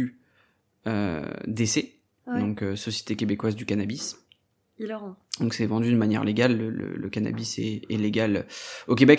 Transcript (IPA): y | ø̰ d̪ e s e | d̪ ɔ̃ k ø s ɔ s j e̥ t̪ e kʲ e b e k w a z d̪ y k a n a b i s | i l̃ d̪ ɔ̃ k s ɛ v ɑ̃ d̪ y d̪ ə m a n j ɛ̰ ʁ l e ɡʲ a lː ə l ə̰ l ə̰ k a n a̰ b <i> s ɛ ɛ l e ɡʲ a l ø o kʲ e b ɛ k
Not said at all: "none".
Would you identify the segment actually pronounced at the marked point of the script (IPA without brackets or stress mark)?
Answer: i